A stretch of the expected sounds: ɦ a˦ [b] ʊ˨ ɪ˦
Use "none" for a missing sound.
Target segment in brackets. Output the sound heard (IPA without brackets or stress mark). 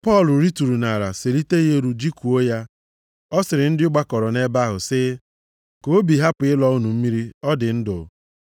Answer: p